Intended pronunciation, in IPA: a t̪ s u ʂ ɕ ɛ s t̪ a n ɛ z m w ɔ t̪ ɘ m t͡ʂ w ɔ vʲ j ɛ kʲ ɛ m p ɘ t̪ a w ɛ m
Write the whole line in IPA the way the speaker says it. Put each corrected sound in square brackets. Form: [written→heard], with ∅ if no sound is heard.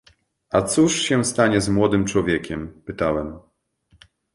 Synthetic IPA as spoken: a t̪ s u ʂ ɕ ɛ s t̪ a [n→ɲ] ɛ z m w ɔ [t̪→d̪] ɘ m t͡ʂ w ɔ vʲ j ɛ kʲ ɛ m p ɘ t̪ a w ɛ m